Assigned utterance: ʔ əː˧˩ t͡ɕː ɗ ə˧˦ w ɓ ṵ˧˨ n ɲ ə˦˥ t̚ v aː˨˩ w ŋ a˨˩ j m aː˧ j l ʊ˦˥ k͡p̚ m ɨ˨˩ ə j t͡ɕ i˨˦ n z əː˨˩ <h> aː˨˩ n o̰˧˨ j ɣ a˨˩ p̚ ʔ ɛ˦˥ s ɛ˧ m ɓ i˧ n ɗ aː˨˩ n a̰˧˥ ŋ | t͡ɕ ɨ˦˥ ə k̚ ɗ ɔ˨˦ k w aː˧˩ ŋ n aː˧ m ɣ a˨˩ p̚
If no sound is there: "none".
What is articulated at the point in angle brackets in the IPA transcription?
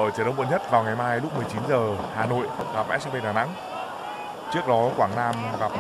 h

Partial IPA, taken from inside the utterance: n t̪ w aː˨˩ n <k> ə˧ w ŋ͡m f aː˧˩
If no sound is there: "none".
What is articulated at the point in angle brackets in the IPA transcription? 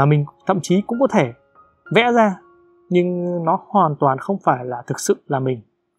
x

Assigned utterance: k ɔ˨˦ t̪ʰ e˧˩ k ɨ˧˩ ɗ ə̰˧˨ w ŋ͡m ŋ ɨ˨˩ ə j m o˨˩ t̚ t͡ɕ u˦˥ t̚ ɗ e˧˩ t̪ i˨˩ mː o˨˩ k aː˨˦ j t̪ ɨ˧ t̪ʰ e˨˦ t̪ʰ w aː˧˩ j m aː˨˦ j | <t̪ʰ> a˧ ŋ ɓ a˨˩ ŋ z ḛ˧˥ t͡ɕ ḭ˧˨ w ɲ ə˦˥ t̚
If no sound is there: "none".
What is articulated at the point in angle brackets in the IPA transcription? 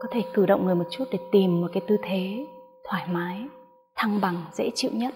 t̪ʰ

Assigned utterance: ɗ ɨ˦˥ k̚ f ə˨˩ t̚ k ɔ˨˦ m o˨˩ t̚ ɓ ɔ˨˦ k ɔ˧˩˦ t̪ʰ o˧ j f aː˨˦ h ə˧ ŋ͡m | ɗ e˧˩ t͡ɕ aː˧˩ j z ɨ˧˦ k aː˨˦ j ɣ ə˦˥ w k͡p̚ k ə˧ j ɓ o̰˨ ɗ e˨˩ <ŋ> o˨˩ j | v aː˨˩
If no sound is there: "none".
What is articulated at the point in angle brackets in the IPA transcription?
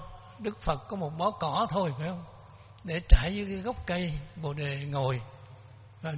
ŋ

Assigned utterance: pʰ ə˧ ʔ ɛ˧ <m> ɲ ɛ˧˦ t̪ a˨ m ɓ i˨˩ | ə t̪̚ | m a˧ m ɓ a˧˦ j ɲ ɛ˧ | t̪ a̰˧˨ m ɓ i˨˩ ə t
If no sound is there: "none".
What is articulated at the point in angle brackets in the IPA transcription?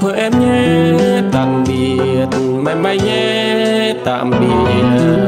m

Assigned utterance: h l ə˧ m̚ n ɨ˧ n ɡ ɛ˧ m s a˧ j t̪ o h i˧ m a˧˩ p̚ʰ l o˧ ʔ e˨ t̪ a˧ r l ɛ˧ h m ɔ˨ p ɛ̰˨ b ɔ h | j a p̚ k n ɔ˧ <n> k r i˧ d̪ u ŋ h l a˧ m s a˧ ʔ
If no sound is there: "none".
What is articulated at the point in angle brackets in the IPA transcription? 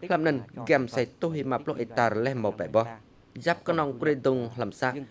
ŋ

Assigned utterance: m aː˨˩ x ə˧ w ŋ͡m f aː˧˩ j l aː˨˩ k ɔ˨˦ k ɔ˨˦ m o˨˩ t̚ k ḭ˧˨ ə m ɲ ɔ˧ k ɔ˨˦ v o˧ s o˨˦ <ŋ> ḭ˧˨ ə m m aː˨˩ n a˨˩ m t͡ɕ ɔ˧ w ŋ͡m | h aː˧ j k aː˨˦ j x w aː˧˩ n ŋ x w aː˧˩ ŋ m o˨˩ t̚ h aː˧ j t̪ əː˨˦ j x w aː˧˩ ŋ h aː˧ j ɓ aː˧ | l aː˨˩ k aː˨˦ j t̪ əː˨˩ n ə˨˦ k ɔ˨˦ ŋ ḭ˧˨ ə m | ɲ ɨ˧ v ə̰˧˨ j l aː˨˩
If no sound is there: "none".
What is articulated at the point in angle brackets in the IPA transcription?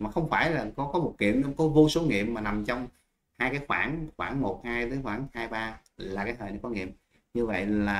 ŋ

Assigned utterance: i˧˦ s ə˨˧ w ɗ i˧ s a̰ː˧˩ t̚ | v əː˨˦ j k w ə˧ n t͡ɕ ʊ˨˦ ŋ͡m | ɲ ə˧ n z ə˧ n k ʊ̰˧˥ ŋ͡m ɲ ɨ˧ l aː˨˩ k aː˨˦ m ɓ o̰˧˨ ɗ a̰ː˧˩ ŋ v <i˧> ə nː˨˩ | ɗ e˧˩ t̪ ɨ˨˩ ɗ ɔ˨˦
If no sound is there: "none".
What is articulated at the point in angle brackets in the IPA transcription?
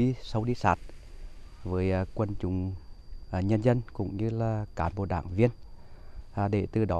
i˧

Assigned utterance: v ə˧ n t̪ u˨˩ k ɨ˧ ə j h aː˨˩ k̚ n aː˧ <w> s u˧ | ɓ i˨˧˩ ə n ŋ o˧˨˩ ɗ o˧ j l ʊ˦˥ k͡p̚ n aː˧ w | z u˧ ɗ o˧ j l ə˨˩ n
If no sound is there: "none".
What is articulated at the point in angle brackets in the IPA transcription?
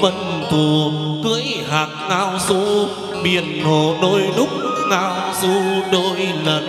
w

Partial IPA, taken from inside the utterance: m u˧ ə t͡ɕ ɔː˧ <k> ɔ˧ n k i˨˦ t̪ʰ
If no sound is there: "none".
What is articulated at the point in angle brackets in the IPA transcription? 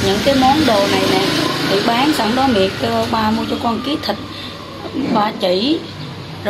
k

